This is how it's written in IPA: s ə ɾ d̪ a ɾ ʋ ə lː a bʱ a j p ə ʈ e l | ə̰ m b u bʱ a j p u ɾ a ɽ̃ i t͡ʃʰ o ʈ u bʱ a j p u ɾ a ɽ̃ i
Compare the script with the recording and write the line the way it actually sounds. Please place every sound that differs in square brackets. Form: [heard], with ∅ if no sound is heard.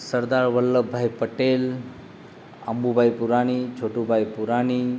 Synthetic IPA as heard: s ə ɾ d̪ a ɾ ʋ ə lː [ə] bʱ a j p ə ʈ e l | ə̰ m b u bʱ a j p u ɾ a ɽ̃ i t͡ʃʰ o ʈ u bʱ a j p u ɾ a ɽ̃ i

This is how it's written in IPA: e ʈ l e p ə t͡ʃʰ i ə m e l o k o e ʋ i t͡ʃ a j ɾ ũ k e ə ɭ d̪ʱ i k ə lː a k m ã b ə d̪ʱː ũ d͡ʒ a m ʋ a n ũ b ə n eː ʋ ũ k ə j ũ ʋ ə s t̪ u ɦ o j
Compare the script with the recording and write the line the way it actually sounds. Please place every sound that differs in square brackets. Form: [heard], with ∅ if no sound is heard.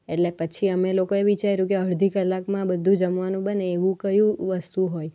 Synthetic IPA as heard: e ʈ l e p ə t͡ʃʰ i ə m e l o k o e ʋ i t͡ʃ a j ɾ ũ k e ə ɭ d̪ʱ i k ə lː a k m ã b ə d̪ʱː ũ d͡ʒ [ə] m ʋ a n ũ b ə n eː ʋ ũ k ə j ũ ʋ ə s t̪ u ɦ o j

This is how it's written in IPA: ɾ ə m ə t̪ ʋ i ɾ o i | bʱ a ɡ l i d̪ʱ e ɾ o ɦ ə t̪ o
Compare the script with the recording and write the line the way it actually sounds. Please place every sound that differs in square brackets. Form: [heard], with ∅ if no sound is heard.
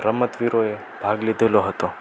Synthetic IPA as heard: ɾ ə m ə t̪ ʋ i ɾ o [e] | bʱ a ɡ l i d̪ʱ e [l] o ɦ ə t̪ o

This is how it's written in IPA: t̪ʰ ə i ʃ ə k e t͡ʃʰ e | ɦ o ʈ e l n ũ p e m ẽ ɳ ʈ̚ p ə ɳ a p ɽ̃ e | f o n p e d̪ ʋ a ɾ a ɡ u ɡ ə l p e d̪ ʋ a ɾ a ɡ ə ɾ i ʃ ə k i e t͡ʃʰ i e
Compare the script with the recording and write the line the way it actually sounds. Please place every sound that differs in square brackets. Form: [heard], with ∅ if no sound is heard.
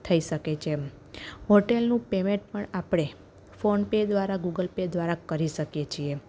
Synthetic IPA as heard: t̪ʰ ə i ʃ ə k e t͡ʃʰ e | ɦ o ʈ e l n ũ p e m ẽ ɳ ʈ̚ p ə ɳ a p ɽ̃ e | f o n p e d̪ ʋ a ɾ a ɡ u ɡ ə l p e d̪ ʋ a ɾ a [k] ə ɾ i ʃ ə k [j] e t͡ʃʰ i e

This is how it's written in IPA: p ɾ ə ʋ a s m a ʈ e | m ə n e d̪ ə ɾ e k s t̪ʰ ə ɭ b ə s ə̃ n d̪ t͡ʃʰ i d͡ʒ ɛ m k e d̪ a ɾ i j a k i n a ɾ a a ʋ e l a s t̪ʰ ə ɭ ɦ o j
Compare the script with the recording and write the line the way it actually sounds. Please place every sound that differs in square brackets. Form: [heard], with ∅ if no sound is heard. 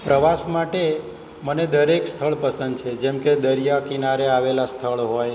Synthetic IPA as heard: p ɾ ə ʋ a s m a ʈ e | m ə n e d̪ ə ɾ e k s t̪ʰ ə ɭ [p] ə s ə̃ n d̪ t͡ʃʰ [e] d͡ʒ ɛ m k e d̪ [ə] ɾ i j a k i n a ɾ [e] a ʋ e l a s t̪ʰ ə ɭ ɦ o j

